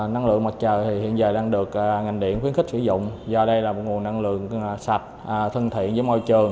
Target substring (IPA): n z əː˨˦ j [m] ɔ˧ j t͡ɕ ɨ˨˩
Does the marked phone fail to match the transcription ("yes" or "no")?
no